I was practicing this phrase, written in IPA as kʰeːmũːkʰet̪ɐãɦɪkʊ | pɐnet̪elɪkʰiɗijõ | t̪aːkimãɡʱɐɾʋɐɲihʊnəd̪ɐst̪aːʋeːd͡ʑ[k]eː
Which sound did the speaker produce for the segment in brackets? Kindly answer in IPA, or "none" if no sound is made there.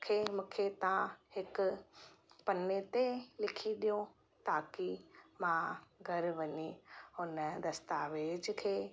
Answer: kʰ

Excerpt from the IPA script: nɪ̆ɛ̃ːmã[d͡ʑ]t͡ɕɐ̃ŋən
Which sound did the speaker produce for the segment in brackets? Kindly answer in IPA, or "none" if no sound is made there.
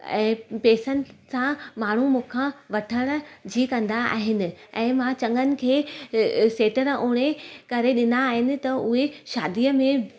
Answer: none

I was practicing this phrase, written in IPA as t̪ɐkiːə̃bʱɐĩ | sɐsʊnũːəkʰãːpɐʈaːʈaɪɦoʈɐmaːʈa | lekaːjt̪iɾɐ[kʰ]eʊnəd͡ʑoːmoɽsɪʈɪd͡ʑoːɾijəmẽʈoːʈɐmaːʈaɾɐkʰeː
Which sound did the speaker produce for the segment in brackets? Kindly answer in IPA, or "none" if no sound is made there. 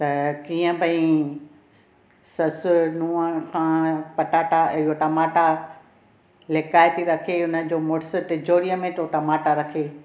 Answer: kʰ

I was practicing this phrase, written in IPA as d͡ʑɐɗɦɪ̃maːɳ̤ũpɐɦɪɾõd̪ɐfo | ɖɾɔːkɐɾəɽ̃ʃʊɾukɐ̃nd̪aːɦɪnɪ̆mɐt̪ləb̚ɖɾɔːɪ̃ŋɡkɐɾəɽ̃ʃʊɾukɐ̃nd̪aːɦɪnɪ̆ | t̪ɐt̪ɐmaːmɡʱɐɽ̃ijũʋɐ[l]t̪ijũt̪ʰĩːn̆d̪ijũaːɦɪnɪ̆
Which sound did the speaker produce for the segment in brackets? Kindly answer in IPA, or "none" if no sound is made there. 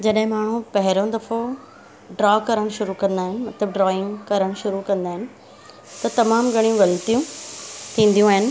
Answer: l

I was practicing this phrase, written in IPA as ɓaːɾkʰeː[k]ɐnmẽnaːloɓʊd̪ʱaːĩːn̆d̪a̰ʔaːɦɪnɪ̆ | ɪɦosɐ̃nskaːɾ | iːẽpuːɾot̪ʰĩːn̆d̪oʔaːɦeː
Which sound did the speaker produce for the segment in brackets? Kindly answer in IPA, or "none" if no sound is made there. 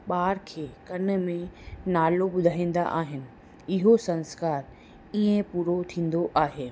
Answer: k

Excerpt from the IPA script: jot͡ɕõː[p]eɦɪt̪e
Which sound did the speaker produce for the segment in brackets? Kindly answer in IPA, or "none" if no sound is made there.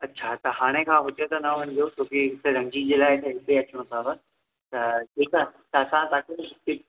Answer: k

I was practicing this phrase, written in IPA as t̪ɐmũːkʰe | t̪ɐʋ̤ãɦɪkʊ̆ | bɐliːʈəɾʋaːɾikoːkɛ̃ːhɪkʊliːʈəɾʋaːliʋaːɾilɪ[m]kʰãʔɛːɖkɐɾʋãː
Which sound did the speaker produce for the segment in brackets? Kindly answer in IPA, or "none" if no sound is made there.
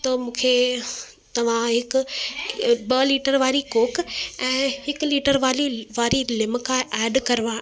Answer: m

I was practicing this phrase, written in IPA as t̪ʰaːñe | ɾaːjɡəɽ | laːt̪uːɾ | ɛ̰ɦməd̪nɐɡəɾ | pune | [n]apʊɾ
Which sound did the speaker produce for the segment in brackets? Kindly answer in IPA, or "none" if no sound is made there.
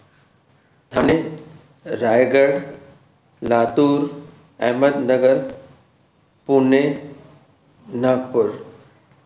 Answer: n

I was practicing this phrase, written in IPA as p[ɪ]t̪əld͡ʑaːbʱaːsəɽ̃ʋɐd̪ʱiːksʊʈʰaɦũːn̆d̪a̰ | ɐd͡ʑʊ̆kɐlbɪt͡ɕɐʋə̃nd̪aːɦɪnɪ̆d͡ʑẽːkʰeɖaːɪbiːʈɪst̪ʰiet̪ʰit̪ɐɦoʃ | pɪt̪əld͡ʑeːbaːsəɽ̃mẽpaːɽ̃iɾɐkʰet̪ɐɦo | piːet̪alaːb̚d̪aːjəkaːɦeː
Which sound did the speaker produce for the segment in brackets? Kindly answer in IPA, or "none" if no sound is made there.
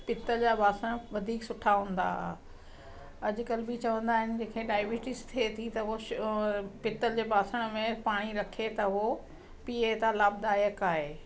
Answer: ɪ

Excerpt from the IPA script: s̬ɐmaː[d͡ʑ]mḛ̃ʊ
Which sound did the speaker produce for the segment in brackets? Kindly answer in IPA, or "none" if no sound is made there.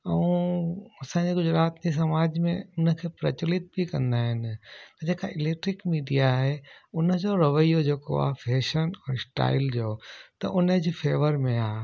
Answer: d͡ʑ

